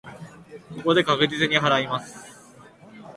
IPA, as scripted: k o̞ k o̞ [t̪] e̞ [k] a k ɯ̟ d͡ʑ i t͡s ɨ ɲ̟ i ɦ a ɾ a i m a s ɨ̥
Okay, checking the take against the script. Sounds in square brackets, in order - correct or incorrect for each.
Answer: incorrect: d̪, correct

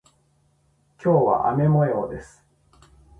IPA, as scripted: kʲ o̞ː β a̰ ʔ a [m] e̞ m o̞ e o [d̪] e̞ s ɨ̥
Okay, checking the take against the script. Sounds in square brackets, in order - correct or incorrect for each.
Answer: correct, correct

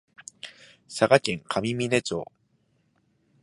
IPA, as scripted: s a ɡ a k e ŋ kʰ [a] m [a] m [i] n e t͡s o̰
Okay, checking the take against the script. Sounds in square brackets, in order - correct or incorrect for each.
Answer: correct, incorrect: i, correct

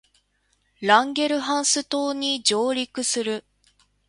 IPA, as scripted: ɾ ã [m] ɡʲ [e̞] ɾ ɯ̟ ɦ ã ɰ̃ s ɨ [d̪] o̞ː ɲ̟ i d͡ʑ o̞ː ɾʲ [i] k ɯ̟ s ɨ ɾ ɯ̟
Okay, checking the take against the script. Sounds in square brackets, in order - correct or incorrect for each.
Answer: incorrect: ŋ, correct, incorrect: t̪, correct

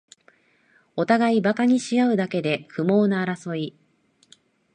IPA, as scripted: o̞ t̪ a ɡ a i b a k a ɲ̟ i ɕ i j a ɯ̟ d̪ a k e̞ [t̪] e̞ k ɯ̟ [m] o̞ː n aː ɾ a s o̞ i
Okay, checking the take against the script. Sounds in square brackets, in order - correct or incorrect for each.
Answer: incorrect: d̪, correct

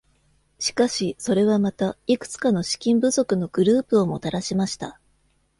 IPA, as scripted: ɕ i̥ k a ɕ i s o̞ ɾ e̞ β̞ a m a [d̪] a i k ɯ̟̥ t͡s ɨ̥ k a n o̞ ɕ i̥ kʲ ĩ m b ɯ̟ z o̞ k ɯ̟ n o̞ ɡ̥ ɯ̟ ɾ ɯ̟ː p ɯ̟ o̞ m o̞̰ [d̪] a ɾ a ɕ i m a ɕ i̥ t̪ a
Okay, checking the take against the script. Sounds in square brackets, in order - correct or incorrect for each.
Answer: incorrect: t̪, incorrect: t̪

